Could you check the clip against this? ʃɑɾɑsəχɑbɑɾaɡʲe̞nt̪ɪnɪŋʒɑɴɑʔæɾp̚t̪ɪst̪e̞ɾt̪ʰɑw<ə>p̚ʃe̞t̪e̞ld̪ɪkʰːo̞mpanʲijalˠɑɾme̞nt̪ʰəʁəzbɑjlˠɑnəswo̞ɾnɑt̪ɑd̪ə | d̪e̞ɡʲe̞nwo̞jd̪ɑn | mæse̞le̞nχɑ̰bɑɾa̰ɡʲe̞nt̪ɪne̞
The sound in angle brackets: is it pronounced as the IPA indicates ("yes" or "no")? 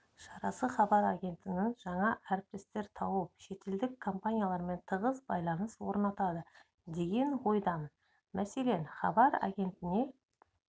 yes